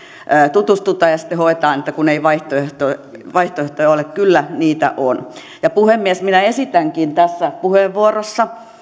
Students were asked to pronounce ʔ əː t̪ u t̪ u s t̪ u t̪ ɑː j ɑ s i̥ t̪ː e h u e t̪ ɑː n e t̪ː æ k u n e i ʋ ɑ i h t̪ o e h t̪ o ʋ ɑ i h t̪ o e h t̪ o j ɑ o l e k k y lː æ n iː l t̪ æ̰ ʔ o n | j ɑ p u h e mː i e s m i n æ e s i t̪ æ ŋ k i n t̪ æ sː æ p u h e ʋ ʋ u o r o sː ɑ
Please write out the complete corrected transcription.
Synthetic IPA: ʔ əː t̪ u t̪ u s t̪ u t̪ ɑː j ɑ s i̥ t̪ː e h o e t̪ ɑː n e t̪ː æ k u n e i ʋ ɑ i h t̪ o e h t̪ o ʋ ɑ i h t̪ o e h t̪ o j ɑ o l e k k y lː æ n iː t̪ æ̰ ʔ o n | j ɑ p u h e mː i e s m i n æ e s i t̪ æ ŋ k i n t̪ æ sː æ p u h e ʋ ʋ u o r o sː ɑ